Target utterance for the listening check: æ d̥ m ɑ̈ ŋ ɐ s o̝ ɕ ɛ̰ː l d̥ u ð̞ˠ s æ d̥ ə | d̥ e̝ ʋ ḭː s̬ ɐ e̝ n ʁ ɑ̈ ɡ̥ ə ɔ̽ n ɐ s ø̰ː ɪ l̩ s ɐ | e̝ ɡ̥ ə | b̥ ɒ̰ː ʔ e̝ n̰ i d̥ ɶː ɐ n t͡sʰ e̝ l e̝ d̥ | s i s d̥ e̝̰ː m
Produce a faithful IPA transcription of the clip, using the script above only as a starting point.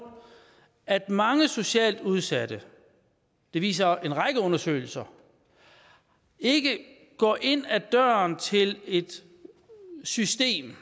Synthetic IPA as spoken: æ d̥ m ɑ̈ ŋ ə s o̝ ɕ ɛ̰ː l d̥ u ð̞ˠ s æ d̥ ə | d̥ e̝ ʋ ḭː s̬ ɐ e̝ n ʁ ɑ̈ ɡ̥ ə ɔ̽ n ɐ s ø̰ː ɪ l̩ s ɐ | e̝ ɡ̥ ə | ɡ̥ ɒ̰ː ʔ e̝ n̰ æ d̥ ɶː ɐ n t͡sʰ e̝ l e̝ d̥ | s y s d̥ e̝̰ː m